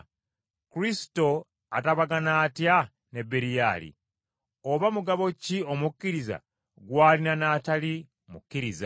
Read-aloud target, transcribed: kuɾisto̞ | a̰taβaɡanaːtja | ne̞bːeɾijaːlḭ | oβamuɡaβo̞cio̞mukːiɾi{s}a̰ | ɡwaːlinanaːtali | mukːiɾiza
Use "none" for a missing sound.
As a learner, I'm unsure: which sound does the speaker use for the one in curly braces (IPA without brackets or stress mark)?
z